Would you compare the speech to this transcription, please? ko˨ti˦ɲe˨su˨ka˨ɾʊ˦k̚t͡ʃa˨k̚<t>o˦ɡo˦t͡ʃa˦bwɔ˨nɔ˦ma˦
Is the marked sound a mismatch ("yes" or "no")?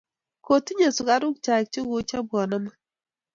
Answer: yes